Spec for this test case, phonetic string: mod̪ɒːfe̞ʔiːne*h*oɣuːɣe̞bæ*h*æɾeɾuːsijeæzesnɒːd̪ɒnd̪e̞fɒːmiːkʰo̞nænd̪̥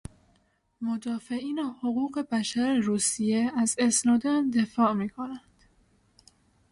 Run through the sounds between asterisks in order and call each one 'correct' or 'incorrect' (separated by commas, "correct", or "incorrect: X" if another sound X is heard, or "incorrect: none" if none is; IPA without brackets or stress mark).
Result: correct, incorrect: ʃ